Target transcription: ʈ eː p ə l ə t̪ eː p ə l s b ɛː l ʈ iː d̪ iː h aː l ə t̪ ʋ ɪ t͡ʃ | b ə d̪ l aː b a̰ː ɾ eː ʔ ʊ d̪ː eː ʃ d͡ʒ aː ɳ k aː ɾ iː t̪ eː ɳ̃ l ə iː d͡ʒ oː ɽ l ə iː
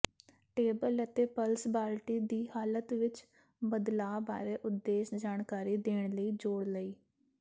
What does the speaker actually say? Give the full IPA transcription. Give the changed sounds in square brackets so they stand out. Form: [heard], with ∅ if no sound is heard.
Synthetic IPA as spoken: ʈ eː [b] ə l ə t̪ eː p ə l s b [aː] l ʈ iː d̪ iː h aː l ə t̪ ʋ ɪ t͡ʃ | b ə d̪ l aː b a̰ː ɾ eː ʔ ʊ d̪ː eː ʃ d͡ʒ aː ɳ k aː ɾ iː [d̪] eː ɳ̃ l ə iː d͡ʒ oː ɽ l ə iː